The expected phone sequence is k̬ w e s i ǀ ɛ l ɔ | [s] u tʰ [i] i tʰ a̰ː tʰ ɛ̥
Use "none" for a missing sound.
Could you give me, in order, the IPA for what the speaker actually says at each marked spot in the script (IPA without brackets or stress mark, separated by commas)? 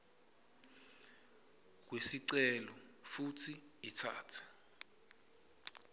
f, i